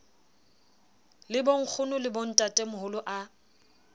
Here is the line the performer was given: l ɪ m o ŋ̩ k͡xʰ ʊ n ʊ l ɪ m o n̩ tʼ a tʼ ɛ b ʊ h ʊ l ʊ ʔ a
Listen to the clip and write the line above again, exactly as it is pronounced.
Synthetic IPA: l ɪ b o ŋ̩ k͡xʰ ʊ n ʊ l ɪ b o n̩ tʼ a tʼ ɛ m ʊ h ʊ l ʊ ʔ a